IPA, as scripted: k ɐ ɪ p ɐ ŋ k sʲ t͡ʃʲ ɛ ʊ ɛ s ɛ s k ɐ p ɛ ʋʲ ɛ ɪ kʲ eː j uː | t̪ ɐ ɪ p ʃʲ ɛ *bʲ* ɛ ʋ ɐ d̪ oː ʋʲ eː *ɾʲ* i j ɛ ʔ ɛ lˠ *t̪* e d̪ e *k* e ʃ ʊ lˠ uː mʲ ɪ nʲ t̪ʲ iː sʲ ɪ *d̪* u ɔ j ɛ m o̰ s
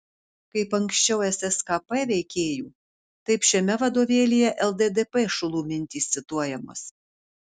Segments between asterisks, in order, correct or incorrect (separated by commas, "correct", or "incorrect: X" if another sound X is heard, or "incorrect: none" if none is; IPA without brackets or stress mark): incorrect: mʲ, incorrect: lʲ, incorrect: d̪, incorrect: p, incorrect: t̪